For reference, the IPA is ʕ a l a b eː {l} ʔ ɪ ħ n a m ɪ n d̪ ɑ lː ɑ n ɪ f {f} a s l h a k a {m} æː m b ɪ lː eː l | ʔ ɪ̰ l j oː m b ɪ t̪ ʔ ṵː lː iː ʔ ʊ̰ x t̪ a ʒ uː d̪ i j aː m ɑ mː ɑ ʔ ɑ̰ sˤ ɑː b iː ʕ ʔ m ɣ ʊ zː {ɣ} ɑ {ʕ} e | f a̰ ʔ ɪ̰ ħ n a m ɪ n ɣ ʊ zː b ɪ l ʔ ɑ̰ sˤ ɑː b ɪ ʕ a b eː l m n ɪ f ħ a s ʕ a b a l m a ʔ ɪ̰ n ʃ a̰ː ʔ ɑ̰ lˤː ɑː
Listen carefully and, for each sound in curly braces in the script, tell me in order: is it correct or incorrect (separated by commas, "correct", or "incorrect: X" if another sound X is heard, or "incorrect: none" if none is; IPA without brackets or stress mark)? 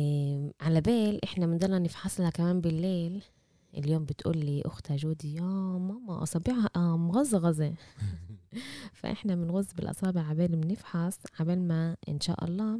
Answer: correct, incorrect: ħ, correct, correct, incorrect: z